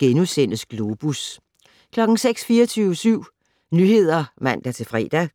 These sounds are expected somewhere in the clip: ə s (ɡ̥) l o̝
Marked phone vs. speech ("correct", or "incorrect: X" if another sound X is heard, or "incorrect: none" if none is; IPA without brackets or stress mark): correct